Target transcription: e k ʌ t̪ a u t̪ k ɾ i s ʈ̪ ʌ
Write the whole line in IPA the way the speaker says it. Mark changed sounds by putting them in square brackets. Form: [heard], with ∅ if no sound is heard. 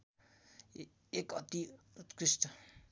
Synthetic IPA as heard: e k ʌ t̪ [i] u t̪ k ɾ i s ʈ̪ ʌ